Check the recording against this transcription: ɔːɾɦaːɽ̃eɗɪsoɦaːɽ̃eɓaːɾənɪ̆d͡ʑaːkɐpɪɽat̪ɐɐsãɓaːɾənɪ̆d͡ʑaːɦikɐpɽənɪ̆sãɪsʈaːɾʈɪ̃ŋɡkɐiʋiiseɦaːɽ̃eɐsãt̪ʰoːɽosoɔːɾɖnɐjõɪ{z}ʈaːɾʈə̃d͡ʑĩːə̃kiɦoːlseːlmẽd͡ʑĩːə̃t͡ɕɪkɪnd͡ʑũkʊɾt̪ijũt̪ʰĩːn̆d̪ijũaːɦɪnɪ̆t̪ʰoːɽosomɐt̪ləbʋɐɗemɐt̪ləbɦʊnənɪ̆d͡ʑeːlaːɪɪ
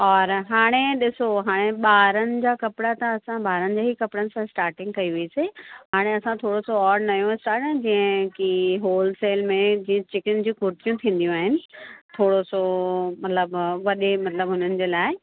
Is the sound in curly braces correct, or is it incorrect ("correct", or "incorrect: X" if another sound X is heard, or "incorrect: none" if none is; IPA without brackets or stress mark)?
incorrect: s